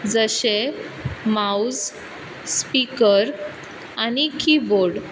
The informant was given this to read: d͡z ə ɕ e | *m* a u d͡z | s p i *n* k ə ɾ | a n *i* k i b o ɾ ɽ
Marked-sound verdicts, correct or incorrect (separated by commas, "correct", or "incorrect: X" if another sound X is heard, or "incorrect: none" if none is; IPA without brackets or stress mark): correct, incorrect: none, correct